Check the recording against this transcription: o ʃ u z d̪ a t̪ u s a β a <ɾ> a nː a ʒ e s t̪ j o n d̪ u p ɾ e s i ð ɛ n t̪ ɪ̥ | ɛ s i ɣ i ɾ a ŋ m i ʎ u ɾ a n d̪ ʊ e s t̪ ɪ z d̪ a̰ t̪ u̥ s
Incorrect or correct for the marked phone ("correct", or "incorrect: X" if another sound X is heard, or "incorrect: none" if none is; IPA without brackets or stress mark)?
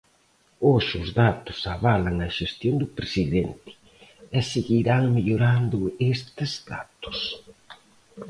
incorrect: l